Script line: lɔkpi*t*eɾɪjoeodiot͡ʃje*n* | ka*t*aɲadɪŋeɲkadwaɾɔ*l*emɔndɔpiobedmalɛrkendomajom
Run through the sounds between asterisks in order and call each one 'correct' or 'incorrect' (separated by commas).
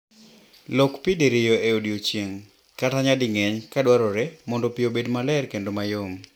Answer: incorrect, incorrect, correct, incorrect